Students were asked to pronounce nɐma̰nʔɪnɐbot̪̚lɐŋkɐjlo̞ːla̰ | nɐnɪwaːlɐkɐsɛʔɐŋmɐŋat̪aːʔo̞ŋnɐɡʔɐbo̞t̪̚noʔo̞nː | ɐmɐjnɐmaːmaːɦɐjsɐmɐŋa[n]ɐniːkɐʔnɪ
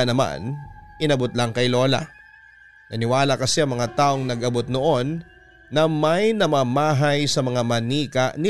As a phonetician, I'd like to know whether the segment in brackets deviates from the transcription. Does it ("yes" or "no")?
yes